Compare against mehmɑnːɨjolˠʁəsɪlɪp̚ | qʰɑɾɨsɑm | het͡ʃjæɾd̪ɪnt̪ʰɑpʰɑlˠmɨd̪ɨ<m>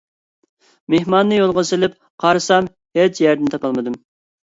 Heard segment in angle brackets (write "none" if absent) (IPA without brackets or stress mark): m